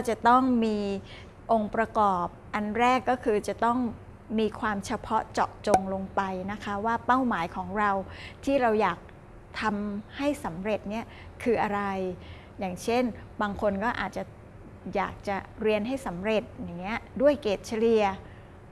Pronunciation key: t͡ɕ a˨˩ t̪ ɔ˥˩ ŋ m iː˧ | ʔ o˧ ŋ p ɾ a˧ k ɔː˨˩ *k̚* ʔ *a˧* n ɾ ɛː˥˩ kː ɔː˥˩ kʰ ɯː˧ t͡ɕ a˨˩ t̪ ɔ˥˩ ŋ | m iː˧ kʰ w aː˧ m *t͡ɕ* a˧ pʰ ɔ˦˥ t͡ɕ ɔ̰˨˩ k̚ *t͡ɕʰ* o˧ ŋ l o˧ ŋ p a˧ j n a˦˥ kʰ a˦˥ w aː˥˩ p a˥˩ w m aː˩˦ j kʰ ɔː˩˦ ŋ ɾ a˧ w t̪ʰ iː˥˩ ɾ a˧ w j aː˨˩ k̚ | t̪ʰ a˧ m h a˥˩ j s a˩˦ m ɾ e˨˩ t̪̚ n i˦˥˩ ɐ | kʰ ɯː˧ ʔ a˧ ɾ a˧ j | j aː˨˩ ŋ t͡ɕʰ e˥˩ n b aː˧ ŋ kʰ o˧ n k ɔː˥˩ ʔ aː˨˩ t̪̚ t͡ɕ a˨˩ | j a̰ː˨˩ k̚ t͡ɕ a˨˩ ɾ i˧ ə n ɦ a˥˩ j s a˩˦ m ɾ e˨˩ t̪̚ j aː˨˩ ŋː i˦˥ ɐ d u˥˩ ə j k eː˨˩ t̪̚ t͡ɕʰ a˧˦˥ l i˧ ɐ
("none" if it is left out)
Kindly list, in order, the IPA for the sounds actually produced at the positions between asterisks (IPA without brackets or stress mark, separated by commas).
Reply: p̚, a˧, t͡ɕʰ, t͡ɕ